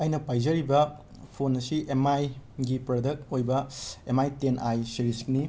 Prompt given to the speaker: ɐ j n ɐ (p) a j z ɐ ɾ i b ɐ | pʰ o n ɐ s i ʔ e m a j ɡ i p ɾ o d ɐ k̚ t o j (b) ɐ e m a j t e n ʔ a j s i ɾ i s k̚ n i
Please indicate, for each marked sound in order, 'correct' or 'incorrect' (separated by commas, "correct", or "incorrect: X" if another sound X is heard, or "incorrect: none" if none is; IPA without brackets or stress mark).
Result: correct, correct